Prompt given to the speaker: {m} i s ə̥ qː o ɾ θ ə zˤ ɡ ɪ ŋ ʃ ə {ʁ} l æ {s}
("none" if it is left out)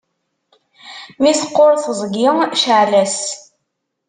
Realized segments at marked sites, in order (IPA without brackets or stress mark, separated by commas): m, ʕ, s